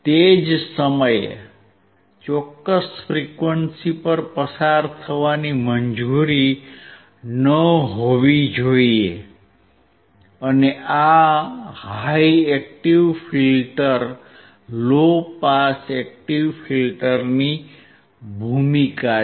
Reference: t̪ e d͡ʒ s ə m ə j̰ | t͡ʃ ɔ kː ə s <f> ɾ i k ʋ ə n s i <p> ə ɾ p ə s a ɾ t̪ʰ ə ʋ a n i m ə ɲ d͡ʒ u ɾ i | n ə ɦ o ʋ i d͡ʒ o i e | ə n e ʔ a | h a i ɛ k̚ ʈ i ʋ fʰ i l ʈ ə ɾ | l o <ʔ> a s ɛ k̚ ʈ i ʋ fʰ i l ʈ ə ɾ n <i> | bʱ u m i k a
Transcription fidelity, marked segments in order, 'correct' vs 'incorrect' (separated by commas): correct, correct, incorrect, correct